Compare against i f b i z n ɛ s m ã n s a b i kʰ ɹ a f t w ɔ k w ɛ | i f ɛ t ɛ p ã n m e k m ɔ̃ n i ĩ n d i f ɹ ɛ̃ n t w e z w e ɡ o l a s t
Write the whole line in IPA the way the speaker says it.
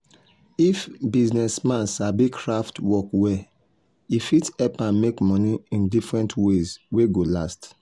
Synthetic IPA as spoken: i f b i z n ɛ s m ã n s a b i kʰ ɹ a f t w ɔ k w ɛ | i f i t ɛ p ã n m e k m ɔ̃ n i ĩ n d i f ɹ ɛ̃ n t w e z w e ɡ o l a s t